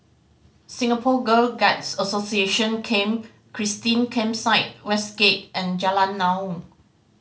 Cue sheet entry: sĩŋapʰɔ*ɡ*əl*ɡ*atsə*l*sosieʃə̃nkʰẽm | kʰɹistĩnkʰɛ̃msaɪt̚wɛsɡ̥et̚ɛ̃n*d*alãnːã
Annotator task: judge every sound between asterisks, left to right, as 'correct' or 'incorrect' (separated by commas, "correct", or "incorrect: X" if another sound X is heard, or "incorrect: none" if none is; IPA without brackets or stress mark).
correct, correct, incorrect: none, incorrect: d͡ʒ